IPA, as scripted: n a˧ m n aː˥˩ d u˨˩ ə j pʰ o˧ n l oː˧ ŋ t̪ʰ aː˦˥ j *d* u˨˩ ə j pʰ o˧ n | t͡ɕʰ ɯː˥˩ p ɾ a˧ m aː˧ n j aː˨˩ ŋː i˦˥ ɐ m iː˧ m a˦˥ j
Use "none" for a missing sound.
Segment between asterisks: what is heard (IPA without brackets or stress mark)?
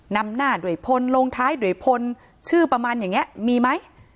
d